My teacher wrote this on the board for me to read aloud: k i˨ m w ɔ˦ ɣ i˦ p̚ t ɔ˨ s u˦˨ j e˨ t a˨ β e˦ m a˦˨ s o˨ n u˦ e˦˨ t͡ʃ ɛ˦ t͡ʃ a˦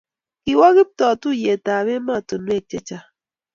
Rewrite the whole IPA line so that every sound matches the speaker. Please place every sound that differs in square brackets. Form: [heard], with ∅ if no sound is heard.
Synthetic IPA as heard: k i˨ [∅] w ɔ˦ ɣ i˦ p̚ t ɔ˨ [t] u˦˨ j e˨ t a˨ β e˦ m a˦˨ [t] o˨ n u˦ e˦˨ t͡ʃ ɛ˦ t͡ʃ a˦